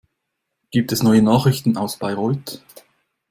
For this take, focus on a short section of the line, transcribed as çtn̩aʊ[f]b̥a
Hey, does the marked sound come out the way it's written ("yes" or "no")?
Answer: no